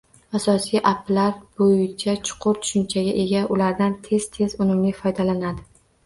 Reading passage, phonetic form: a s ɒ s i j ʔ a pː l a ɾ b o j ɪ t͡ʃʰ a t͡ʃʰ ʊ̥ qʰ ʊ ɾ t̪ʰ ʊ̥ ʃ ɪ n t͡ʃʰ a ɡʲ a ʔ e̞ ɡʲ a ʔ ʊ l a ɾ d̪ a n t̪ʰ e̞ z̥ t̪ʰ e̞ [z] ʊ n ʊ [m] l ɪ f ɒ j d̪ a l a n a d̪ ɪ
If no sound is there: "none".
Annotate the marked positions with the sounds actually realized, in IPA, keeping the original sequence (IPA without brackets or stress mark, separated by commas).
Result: z, m